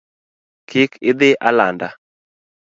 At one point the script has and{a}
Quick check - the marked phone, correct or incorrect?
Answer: correct